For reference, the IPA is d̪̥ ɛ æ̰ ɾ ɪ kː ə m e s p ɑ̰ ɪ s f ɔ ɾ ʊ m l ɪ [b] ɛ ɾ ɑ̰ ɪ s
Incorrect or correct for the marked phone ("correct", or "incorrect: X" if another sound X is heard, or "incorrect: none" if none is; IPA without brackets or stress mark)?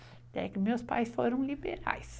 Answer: correct